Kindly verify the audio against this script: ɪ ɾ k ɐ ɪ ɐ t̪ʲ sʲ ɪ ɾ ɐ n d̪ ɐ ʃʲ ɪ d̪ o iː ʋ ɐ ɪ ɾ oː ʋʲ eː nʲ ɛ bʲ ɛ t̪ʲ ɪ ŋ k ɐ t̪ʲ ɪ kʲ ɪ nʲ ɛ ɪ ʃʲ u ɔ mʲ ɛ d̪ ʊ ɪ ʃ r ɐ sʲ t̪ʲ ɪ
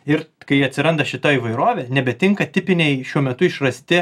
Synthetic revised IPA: ɪ ɾ k ɐ ɪ ɐ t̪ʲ sʲ ɪ ɾ ɐ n d̪ ɐ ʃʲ ɪ t̪ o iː ʋ ɐ ɪ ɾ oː ʋʲ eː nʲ ɛ bʲ ɛ t̪ʲ ɪ ŋ k ɐ t̪ʲ ɪ pʲ ɪ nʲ ɛ ɪ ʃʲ u ɔ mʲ ɛ t̪ ʊ ɪ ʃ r ɐ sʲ t̪ʲ ɪ